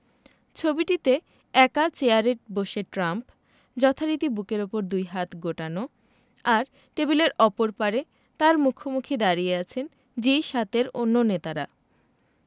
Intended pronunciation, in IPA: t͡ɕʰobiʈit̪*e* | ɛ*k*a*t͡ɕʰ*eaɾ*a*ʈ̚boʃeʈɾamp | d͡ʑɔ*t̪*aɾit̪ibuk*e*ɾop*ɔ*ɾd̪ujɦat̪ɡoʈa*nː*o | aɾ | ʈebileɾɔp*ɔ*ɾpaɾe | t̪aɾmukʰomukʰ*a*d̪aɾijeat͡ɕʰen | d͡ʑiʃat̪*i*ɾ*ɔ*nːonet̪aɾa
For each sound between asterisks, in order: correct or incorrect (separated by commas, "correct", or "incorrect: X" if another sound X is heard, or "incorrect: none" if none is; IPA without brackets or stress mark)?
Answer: correct, correct, incorrect: t͡ɕ, incorrect: e, incorrect: t̪ʰ, correct, incorrect: o, incorrect: n, incorrect: o, incorrect: i, incorrect: e, incorrect: o